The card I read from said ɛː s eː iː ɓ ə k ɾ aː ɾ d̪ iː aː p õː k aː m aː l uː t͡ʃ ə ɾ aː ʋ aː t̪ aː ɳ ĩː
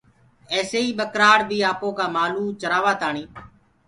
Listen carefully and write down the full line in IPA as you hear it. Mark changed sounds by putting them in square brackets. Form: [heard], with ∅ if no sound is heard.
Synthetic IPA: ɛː s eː iː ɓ ə k ɾ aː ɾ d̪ iː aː p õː k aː m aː l uː t͡ʃ ə ɾ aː ʋ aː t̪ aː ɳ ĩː